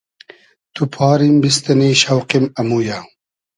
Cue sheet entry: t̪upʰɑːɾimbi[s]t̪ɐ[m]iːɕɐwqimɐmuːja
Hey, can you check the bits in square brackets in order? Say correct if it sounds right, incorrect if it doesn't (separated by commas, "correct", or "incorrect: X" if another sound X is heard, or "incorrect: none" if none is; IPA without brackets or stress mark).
correct, incorrect: n